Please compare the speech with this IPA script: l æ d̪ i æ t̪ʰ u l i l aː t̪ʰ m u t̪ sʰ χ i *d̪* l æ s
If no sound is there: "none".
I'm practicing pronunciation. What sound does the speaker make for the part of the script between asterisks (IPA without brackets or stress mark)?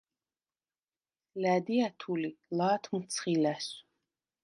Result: none